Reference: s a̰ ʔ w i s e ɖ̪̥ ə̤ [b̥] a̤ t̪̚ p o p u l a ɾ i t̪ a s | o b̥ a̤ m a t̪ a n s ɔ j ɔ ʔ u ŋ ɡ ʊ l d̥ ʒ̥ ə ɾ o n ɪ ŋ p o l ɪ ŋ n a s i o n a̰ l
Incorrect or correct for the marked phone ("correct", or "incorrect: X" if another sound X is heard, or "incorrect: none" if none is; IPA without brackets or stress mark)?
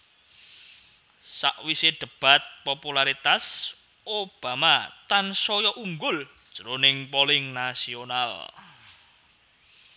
correct